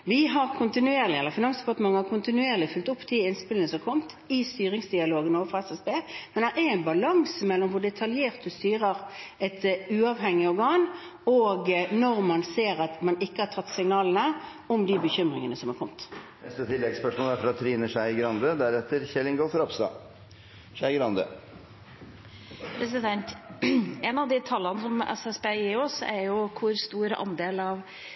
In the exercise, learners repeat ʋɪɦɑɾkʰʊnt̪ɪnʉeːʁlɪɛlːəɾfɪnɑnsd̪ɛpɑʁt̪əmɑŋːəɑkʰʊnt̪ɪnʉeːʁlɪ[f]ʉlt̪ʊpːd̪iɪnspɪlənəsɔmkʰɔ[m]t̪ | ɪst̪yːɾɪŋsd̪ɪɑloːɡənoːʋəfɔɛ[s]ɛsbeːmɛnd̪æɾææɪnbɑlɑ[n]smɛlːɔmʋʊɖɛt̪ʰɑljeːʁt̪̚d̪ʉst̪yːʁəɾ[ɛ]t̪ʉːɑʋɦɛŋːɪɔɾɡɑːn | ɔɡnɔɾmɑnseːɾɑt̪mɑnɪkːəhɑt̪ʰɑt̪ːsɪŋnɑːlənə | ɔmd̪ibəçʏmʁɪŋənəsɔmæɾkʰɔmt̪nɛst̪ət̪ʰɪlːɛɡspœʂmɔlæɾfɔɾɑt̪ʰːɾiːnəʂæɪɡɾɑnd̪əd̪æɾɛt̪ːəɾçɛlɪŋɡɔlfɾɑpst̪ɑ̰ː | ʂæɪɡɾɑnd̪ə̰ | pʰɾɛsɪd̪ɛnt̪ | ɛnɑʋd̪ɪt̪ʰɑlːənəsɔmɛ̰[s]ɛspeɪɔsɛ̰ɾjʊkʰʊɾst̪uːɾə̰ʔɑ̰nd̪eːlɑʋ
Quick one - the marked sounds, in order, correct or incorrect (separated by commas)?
correct, correct, correct, incorrect, correct, correct